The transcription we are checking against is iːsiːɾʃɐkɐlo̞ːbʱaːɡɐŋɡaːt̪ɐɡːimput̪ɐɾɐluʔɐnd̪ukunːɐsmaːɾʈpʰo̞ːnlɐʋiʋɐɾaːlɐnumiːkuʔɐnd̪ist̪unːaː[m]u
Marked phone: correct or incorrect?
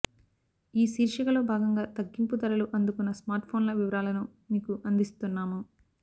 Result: correct